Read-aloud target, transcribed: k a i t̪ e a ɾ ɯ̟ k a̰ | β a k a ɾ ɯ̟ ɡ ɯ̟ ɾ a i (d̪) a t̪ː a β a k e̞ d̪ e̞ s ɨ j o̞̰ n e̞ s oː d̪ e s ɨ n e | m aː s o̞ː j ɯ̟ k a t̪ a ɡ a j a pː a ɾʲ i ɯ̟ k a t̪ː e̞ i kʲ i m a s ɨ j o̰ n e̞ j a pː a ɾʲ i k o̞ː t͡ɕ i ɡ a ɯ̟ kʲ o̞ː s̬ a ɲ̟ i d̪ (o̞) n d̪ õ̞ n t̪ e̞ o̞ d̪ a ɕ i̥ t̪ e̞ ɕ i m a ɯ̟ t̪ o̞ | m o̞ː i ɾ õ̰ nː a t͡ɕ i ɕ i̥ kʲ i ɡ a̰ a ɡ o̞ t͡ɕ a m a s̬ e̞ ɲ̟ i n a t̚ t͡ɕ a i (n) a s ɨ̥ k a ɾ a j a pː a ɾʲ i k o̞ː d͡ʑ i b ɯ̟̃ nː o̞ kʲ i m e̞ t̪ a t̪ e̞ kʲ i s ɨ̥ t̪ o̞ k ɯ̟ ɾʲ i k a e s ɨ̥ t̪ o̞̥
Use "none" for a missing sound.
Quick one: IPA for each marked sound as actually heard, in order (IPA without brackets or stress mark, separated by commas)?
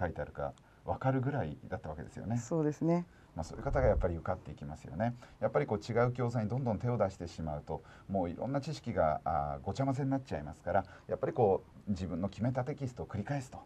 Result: d̪, õ̞, m